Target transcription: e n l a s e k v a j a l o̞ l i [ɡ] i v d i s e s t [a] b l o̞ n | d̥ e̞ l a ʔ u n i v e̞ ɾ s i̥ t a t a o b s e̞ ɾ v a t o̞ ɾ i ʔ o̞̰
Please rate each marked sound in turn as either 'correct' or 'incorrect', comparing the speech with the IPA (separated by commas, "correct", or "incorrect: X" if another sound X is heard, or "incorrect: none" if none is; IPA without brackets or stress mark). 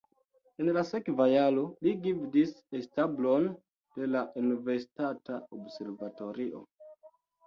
correct, correct